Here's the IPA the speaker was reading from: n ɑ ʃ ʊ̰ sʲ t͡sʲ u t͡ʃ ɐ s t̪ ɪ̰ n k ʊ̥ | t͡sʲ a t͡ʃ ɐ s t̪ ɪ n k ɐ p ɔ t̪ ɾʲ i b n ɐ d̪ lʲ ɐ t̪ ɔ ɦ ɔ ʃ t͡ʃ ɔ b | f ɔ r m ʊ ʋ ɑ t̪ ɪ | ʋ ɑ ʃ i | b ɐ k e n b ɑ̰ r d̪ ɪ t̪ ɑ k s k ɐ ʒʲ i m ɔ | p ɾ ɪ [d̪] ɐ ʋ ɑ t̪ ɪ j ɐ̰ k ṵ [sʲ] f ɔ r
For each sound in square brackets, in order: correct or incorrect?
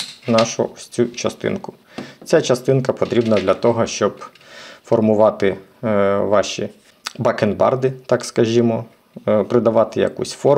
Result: correct, correct

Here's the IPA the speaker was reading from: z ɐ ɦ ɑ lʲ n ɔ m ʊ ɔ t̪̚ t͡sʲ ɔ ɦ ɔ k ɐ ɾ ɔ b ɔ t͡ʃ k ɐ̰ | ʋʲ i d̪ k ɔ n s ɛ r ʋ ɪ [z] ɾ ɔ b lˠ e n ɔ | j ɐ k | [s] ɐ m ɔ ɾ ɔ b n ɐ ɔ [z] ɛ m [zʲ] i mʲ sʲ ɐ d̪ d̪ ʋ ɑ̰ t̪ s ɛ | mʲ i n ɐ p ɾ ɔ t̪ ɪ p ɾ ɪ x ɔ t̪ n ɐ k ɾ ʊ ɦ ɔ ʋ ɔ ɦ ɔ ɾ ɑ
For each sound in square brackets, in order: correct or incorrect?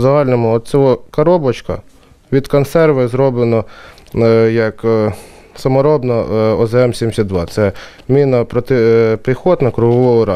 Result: correct, correct, correct, incorrect: sʲ

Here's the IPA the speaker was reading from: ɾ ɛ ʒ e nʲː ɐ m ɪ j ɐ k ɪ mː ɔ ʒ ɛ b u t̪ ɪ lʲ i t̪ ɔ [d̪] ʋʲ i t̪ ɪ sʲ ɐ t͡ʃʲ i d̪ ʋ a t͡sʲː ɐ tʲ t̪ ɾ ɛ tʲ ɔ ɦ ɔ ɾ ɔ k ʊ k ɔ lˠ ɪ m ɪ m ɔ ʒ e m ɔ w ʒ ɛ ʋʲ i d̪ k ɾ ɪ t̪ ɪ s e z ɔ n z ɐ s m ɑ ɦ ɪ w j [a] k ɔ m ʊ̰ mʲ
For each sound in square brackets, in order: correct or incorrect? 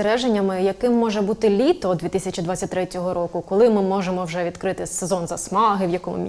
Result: correct, incorrect: ɐ

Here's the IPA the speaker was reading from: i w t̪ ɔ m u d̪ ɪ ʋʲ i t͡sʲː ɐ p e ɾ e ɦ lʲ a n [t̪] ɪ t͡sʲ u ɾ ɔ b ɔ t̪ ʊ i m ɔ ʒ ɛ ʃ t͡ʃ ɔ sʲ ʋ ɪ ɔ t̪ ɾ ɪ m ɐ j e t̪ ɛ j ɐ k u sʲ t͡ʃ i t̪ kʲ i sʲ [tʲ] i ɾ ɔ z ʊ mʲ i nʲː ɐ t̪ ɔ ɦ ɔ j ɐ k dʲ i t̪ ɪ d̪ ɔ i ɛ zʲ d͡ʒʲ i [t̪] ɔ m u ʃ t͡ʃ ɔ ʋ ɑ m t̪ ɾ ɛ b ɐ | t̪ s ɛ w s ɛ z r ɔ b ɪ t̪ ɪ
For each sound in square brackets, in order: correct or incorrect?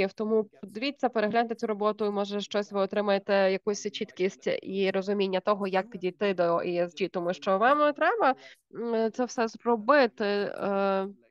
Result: correct, correct, correct

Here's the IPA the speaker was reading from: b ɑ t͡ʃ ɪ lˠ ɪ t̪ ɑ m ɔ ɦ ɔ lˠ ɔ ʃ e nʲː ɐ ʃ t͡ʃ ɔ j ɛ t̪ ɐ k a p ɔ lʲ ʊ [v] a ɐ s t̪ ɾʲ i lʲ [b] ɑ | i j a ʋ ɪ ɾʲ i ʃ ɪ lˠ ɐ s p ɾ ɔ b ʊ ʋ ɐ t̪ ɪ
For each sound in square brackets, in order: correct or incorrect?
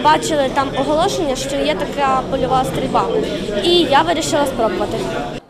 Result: incorrect: ʋ, correct

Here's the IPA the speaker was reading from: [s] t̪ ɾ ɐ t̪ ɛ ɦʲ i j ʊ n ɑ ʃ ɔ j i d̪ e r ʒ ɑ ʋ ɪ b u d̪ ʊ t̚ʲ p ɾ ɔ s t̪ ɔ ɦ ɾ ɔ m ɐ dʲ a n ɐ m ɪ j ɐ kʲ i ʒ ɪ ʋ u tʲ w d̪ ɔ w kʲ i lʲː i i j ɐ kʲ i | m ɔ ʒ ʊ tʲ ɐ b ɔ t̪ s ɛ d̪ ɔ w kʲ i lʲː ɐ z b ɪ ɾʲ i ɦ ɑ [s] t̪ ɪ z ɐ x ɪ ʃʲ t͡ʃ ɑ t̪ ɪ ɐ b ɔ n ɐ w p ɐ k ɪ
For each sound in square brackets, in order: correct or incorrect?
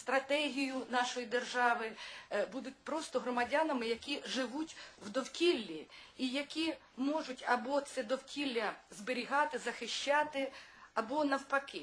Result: correct, incorrect: none

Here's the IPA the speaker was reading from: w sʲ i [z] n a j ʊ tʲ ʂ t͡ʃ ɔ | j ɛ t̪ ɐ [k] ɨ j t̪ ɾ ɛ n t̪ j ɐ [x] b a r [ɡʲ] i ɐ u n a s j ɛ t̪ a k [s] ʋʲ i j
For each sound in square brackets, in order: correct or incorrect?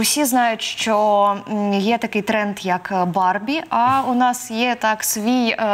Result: correct, correct, incorrect: k, incorrect: bʲ, correct

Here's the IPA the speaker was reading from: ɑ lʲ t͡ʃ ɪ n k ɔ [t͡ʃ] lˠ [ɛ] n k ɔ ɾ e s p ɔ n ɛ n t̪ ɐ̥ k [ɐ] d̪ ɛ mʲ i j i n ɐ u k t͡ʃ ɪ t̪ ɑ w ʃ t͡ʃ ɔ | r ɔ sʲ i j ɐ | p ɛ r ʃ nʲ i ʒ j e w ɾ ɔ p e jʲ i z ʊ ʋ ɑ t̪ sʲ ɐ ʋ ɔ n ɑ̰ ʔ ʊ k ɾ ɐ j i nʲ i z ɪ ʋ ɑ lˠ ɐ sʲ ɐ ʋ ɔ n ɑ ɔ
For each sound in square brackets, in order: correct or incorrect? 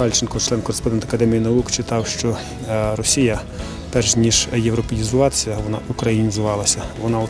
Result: correct, correct, correct

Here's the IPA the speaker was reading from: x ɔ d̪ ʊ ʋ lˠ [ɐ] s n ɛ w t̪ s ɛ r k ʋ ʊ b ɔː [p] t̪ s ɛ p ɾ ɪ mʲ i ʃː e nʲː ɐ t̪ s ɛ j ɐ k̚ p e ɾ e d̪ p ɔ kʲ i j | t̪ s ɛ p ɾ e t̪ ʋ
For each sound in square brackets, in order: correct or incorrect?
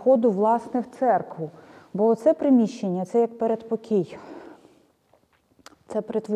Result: incorrect: ɑ, incorrect: none

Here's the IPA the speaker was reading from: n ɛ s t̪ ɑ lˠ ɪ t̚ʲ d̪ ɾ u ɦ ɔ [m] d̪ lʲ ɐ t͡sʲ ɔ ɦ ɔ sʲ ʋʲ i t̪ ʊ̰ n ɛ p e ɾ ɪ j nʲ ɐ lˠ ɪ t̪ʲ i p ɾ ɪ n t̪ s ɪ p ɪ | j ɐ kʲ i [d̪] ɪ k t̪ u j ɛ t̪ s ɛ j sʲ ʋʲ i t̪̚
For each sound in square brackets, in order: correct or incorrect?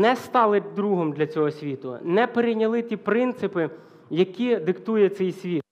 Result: correct, correct

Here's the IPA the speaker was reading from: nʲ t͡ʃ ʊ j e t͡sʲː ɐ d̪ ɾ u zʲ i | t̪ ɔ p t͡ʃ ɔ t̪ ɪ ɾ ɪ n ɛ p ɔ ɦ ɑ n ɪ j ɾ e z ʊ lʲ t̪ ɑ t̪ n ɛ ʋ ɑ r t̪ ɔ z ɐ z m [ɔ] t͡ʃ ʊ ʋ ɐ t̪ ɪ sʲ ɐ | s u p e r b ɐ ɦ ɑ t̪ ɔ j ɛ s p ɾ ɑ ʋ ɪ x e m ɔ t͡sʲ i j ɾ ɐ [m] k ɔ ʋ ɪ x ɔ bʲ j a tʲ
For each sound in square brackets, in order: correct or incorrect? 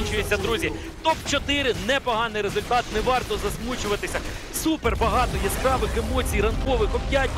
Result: incorrect: u, incorrect: n

